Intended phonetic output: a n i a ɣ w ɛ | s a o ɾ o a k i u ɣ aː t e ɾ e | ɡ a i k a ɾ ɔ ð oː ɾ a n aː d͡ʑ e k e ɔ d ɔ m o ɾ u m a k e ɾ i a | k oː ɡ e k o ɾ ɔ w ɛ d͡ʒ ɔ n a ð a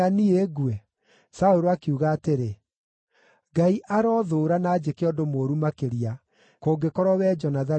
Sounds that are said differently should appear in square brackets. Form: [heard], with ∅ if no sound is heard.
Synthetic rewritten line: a n i [e] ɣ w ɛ | s a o ɾ o a k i u ɣ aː t e ɾ e | ɡ a i [ʔ] a ɾ ɔ ð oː ɾ a n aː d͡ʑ e k e ɔ d [o] m o ɾ u m a k e ɾ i a | k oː ɡ e k [ɔ] ɾ ɔ w ɛ d͡ʒ ɔ n a ð a